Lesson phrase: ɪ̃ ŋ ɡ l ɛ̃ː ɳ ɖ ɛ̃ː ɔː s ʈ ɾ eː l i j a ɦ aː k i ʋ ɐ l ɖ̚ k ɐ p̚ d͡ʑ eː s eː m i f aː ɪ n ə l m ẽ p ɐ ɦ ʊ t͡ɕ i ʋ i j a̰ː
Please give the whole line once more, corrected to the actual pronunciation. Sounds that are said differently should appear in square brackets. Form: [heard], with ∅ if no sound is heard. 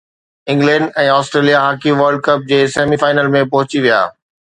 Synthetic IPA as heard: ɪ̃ ŋ ɡ l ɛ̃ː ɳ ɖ ɛ̃ː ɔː s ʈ ɾ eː l i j a ɦ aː k i ʋ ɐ [ɾ] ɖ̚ k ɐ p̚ d͡ʑ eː s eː m i f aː ɪ n ə l m ẽ p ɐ ɦ ʊ t͡ɕ i ʋ i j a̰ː